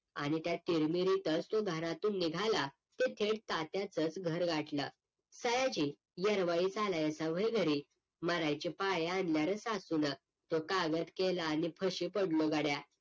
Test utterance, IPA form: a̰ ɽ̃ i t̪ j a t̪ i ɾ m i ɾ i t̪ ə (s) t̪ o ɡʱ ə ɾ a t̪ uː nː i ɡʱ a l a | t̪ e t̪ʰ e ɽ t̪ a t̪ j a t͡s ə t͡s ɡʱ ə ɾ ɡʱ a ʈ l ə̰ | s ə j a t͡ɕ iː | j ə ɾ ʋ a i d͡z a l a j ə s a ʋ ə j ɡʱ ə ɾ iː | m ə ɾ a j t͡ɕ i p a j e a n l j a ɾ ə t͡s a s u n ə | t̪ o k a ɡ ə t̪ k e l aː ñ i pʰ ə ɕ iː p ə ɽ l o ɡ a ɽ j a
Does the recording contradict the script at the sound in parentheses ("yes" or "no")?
yes